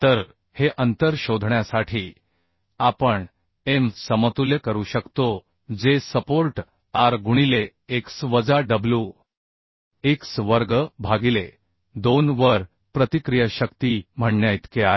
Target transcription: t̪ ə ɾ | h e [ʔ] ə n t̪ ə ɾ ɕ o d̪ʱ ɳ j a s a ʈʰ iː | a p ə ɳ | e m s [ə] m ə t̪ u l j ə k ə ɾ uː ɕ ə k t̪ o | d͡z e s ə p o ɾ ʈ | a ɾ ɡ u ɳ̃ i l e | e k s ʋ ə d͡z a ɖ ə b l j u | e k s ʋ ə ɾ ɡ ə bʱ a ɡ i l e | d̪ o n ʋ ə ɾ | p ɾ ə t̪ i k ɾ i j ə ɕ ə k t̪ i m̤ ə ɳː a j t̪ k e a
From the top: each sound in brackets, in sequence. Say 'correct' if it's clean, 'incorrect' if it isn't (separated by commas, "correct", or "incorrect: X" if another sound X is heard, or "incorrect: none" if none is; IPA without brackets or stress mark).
correct, correct